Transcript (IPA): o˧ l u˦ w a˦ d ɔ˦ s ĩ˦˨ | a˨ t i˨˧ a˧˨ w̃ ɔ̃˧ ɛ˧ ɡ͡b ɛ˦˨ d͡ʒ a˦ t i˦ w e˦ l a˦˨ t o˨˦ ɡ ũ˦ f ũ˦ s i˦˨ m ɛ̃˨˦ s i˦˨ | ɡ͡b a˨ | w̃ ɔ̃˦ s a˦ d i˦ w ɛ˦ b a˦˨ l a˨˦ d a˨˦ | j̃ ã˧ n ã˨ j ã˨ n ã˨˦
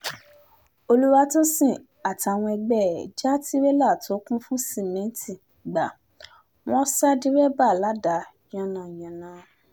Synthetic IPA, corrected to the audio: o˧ l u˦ w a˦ t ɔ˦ s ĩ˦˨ | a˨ t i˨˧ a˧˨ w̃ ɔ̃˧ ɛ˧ ɡ͡b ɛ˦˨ d͡ʒ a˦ t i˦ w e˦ l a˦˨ t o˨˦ k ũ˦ f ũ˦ s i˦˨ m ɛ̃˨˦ t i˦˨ | ɡ͡b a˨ | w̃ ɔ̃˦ s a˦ d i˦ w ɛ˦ b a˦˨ l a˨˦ d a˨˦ | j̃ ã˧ n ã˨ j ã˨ n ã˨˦